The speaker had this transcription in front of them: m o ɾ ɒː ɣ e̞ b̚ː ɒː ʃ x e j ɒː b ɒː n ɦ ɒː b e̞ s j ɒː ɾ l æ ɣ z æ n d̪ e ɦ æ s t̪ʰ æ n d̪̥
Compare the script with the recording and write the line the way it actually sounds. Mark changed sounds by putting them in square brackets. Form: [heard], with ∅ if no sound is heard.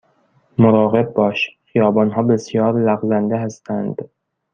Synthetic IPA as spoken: m o ɾ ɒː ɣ e̞ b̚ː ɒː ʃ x [i] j ɒː b ɒː n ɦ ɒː b e̞ s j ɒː ɾ l æ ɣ z æ n d̪ e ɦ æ s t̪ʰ æ n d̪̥